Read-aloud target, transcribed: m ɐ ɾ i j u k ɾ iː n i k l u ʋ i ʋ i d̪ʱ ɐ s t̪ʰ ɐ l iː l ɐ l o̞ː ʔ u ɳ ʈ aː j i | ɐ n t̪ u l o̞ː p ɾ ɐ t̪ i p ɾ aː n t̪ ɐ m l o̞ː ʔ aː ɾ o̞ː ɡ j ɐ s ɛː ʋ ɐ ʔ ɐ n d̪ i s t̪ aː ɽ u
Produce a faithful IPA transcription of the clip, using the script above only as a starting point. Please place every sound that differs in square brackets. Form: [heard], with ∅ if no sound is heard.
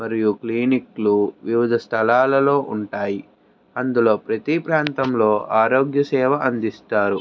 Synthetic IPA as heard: m ɐ ɾ i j u k [l] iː n i k l u ʋ i ʋ i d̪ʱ ɐ s t̪ʰ ɐ l [aː] l ɐ l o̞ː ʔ u ɳ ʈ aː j i | ɐ n [d̪] u l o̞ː p ɾ ɐ t̪ i p ɾ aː n t̪ ɐ m l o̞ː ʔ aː ɾ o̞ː ɡ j ɐ s ɛː ʋ ɐ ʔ ɐ n d̪ i s t̪ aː [ɾ] u